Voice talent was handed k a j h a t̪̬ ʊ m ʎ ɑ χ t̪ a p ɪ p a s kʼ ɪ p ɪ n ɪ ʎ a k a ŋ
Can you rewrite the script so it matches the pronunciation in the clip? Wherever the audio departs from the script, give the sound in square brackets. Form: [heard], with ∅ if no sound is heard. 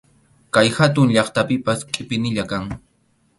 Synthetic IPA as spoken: k a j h a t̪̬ ʊ [ŋ] ʎ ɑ χ t̪ a p ɪ p a s kʼ ɪ p ɪ n ɪ ʎ a k a ŋ